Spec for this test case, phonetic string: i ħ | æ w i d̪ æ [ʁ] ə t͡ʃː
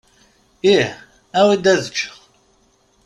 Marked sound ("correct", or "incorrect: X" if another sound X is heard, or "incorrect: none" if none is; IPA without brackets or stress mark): incorrect: ð